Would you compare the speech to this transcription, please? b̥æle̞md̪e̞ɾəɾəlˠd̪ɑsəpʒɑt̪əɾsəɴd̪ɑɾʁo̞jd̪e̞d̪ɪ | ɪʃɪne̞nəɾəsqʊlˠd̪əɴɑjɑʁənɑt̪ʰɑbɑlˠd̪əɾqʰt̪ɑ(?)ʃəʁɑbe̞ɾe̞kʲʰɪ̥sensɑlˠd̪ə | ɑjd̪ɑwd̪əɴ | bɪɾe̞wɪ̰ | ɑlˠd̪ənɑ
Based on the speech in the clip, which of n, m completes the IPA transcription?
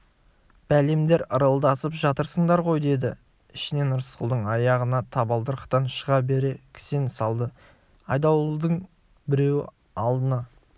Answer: n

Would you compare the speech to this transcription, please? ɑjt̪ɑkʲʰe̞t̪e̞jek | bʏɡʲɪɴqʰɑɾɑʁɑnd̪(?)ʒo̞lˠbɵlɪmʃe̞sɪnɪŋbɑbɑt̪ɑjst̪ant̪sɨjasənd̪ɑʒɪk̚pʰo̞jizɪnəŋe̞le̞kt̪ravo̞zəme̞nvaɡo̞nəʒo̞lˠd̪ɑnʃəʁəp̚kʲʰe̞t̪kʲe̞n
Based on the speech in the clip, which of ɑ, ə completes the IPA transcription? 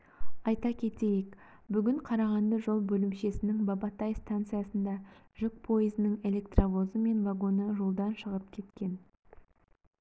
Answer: ə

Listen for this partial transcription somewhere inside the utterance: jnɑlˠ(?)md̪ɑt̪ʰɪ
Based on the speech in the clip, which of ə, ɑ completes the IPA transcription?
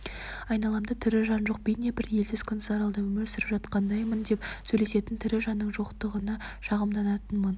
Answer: ɑ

